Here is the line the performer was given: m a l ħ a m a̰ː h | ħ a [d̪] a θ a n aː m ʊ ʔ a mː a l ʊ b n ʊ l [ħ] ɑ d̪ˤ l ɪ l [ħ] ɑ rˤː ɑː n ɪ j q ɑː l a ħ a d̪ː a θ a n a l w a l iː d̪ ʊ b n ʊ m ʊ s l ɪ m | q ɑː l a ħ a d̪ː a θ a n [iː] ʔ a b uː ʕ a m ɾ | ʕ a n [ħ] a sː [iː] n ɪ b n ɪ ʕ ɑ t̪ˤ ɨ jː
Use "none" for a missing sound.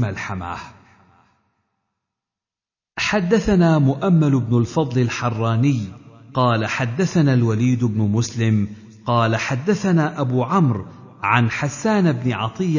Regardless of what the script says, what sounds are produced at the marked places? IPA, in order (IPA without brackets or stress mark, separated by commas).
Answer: d̪ː, f, ħ, aː, ħ, aː